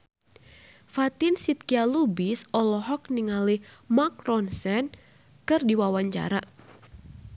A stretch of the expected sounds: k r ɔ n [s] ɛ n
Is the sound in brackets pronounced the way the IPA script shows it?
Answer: yes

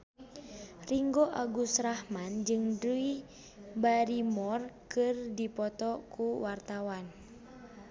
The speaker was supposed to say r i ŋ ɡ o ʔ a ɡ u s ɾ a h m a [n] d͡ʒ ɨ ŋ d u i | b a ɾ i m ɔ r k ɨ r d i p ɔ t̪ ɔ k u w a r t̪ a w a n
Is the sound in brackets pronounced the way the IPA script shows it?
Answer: yes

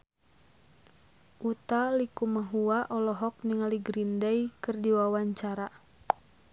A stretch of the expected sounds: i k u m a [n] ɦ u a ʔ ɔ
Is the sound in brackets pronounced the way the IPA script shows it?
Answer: no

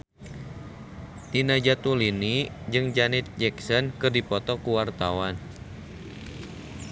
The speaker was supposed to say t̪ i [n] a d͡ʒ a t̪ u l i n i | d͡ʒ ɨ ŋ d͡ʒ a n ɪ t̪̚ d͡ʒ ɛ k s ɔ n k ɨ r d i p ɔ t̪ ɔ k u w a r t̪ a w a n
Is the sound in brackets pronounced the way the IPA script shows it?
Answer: yes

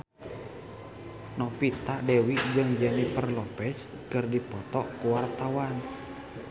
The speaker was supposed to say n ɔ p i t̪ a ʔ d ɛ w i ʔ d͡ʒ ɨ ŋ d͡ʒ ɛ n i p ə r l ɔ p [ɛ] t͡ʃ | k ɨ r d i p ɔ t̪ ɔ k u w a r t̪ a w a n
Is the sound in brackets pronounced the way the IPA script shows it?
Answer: yes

